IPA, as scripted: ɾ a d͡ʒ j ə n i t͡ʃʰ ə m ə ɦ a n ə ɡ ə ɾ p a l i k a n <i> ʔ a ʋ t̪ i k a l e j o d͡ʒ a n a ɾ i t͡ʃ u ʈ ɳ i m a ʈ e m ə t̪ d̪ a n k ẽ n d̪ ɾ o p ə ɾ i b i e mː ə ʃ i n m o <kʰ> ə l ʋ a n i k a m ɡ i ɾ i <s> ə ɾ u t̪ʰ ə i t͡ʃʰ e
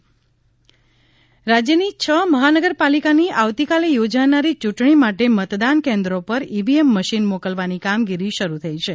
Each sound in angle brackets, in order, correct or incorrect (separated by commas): correct, incorrect, incorrect